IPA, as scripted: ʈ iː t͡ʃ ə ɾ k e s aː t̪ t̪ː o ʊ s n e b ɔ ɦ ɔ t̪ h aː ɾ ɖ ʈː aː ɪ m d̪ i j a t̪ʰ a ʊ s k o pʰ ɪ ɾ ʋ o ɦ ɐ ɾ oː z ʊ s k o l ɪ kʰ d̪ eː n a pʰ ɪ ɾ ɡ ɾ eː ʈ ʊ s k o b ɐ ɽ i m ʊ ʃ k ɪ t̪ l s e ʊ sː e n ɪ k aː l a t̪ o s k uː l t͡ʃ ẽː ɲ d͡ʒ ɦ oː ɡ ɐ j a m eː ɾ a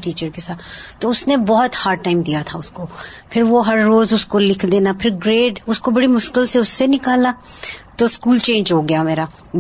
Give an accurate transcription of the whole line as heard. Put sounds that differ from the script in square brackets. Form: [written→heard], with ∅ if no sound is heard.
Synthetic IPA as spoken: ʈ iː t͡ʃ ə ɾ k e s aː t̪ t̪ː o ʊ s n e b ɔ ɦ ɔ t̪ h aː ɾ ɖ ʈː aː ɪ m d̪ i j a t̪ʰ a ʊ s k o pʰ ɪ ɾ ʋ o ɦ ɐ [ɾ→ɾː] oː z ʊ s k o l ɪ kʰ d̪ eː n a pʰ ɪ ɾ ɡ ɾ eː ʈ ʊ s k o b ɐ ɽ i m ʊ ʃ k ɪ [t̪→∅] l s e ʊ sː e n ɪ k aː l a t̪ o s k uː l t͡ʃ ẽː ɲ d͡ʒ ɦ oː ɡ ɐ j a m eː ɾ a